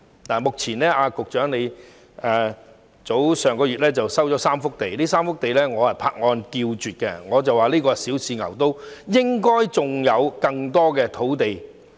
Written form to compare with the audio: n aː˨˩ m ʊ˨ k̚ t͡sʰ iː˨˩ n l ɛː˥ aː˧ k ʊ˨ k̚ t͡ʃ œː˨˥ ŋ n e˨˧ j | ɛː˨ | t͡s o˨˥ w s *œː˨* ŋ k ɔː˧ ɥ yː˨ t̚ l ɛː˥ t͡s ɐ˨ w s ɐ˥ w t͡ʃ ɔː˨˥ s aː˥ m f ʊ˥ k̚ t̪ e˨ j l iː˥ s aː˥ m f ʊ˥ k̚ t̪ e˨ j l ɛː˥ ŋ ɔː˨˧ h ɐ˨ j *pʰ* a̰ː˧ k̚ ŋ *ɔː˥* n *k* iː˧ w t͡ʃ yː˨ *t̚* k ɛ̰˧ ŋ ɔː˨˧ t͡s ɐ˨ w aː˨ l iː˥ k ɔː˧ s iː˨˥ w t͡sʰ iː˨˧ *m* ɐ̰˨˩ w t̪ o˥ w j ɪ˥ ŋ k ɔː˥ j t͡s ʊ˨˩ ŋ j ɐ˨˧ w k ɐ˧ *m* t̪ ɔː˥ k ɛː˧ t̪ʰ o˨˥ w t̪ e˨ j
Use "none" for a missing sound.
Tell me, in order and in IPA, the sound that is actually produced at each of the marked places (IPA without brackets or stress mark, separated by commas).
œː˨, pʰ, ɔː˧, k, t̚, ŋ, ŋ